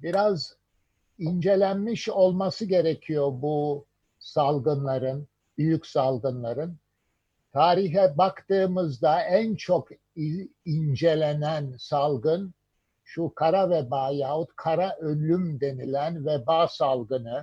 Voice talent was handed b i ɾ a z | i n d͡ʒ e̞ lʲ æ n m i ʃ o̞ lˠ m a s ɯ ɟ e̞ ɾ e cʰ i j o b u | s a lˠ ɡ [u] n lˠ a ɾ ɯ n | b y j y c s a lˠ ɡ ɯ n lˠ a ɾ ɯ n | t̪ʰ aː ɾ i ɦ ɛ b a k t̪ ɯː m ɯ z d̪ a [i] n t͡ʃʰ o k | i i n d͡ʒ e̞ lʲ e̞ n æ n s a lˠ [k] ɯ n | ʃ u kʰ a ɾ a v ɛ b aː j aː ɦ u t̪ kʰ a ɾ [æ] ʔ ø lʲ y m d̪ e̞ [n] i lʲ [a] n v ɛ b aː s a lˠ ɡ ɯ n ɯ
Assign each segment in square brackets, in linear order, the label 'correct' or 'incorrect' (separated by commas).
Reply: incorrect, incorrect, incorrect, incorrect, correct, incorrect